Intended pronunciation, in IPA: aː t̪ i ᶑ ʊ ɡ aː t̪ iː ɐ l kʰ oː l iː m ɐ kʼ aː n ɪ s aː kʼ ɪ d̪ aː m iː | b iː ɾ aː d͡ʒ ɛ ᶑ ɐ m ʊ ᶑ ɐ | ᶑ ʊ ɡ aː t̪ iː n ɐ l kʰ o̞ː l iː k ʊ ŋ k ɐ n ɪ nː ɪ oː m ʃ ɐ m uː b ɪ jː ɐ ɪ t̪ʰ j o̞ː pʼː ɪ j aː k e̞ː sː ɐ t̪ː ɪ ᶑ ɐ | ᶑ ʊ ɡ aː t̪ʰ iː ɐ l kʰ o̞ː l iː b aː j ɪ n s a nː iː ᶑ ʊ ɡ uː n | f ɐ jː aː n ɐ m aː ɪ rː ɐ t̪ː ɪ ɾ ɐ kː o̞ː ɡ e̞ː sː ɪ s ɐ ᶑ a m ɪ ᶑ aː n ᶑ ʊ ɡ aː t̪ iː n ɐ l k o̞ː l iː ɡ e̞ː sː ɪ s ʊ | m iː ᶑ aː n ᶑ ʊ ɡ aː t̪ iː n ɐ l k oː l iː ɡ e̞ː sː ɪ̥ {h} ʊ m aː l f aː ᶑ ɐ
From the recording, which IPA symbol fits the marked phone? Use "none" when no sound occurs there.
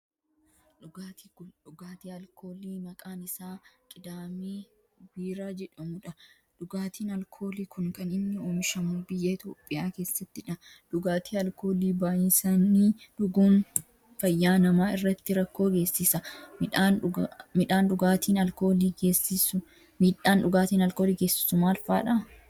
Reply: s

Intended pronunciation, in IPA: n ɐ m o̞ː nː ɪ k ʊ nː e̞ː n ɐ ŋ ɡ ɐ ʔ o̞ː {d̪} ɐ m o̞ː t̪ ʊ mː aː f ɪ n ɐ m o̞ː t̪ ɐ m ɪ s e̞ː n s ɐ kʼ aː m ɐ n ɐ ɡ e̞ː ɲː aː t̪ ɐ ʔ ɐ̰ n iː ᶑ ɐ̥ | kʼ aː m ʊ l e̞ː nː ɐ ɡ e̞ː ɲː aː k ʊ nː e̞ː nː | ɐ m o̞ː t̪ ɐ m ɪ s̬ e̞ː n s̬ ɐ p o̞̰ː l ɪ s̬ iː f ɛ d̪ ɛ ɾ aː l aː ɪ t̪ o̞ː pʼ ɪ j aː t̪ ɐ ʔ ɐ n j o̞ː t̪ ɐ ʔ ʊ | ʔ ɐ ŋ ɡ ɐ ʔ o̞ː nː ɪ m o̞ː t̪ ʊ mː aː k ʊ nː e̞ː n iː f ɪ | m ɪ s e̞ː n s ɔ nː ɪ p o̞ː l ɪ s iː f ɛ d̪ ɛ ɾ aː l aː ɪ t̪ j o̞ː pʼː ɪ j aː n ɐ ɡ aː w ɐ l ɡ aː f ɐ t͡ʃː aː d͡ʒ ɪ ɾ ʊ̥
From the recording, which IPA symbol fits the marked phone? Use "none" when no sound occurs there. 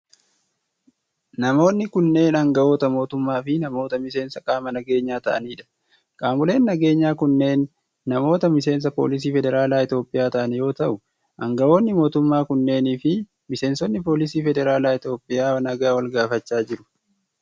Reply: t̪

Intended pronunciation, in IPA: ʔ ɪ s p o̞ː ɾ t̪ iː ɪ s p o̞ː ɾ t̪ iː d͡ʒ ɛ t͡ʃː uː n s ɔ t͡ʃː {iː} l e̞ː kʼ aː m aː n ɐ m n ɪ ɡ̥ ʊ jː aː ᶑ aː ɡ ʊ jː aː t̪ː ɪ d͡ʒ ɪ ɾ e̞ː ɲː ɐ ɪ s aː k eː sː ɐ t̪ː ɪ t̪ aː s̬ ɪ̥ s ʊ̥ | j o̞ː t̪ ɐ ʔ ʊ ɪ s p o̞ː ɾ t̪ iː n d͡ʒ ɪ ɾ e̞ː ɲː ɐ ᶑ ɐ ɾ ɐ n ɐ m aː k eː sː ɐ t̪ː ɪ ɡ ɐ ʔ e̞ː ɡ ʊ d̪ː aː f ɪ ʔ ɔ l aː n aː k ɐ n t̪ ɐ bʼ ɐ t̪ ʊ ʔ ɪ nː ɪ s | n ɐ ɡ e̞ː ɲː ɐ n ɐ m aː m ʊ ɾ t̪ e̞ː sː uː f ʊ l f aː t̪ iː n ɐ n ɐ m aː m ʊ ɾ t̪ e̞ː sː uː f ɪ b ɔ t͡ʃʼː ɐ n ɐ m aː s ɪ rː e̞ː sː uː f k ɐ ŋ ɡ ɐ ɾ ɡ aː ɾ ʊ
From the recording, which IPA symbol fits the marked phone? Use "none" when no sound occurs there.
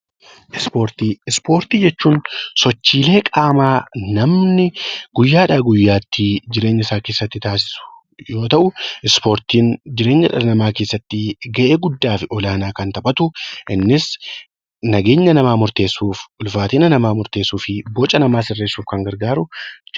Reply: iː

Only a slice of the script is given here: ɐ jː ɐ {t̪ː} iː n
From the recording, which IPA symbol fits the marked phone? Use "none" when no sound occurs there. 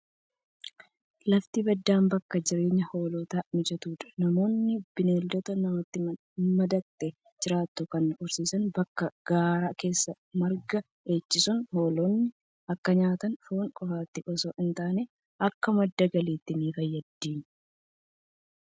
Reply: d̪ː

